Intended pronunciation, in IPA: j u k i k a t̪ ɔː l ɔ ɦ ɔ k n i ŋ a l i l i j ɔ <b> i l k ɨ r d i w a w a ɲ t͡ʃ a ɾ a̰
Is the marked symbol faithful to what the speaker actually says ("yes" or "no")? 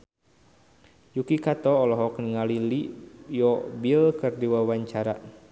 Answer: yes